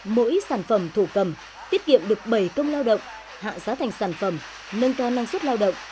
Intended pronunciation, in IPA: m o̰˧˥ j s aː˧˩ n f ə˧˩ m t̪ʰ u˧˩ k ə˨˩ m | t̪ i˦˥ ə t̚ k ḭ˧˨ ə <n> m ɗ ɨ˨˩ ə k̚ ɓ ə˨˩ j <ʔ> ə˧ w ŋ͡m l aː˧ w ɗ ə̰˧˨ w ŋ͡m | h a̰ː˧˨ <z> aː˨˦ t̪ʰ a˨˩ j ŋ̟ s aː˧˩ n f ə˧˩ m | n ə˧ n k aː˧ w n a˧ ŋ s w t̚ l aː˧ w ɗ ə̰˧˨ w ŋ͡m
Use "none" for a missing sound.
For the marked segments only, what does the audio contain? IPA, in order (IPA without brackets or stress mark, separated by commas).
none, k, z